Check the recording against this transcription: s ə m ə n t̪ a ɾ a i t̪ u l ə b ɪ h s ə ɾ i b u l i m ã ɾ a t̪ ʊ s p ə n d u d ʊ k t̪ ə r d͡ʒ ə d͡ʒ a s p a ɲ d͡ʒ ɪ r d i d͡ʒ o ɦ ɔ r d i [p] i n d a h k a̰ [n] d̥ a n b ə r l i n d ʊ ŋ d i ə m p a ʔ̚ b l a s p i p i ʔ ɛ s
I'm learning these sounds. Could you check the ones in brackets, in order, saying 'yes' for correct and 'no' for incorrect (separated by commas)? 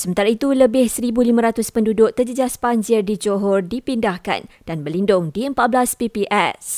yes, yes